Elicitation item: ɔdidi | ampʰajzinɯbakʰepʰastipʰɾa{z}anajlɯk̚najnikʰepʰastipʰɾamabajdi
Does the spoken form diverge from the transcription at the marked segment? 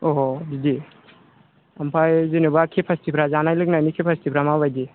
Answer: no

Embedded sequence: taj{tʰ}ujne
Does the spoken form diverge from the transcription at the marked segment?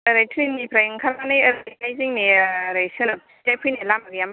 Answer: yes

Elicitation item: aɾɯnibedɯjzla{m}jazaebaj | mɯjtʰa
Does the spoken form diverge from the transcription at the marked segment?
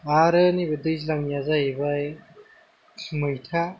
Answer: yes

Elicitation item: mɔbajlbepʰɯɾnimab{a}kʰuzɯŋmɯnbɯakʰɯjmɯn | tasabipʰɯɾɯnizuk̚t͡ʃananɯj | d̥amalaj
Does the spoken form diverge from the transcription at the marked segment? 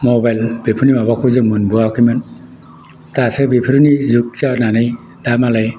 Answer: no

